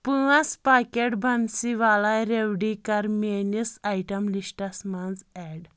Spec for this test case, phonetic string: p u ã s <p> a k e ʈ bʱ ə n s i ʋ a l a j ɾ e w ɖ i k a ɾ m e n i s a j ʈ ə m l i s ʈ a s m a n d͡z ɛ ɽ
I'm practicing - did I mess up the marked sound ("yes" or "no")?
no